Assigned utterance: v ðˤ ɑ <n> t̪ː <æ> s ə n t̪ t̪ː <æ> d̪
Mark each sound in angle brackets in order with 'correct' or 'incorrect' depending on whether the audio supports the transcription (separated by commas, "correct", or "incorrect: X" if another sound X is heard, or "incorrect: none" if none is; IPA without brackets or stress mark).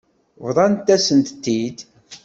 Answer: correct, correct, incorrect: i